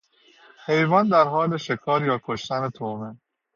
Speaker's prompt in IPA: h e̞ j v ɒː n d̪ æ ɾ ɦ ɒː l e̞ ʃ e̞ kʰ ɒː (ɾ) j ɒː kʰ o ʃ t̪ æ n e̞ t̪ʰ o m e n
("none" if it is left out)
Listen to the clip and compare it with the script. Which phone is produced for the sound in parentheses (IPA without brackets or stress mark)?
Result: ɾ